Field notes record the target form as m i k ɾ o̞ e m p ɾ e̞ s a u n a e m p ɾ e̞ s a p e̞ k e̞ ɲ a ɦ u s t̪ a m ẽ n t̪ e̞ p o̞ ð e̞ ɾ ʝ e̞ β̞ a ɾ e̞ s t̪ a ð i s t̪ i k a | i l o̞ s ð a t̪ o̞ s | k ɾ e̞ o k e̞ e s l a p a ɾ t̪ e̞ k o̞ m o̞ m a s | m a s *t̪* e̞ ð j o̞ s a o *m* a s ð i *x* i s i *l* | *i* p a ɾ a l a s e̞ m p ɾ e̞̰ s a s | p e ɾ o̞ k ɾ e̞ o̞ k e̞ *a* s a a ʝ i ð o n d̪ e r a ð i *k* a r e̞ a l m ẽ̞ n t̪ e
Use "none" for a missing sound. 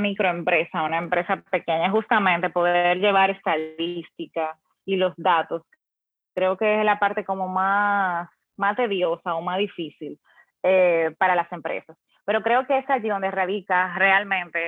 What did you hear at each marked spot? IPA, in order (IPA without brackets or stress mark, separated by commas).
t̪, m, f, l, e, e, k